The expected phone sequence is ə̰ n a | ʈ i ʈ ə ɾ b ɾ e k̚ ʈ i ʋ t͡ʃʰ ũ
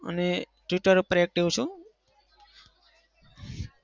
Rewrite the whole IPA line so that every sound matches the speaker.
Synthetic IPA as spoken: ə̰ n e | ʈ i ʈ ə ɾ p ɾ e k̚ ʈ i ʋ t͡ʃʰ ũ